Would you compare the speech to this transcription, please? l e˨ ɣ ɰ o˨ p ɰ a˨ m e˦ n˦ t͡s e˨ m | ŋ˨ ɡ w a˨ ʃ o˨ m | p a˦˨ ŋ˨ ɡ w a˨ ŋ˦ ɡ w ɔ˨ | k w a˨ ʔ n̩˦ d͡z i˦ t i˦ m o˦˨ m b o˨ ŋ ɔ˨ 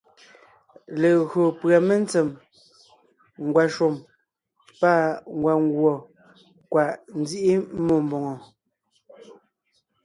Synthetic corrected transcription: l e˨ ɣ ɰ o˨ p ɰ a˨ m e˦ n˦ t͡s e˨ m | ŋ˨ ɡ w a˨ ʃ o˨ m | p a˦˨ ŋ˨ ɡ w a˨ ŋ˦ ɡ w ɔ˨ | k w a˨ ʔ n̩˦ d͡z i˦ ʔ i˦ m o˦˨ m b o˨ ŋ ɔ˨